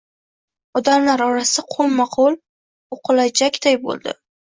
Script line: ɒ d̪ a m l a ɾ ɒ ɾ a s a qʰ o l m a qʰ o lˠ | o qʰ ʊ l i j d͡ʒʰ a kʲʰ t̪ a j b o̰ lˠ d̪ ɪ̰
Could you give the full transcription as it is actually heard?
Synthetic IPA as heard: ɒ d̪ a m l a ɾ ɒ ɾ a s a qʰ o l m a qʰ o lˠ | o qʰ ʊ l a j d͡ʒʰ a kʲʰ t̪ a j b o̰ lˠ d̪ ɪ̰